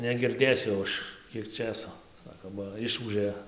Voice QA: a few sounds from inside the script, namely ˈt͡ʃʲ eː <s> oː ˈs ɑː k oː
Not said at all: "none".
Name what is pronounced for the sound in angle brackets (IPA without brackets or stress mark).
s